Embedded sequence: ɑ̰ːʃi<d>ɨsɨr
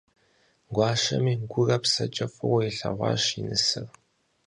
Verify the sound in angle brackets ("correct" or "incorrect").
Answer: incorrect